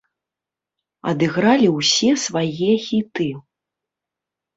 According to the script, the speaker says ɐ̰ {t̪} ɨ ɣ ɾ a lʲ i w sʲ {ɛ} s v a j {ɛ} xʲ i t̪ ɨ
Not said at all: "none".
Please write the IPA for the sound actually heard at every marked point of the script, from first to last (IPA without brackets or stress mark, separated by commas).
d̪, ɛ, ɛ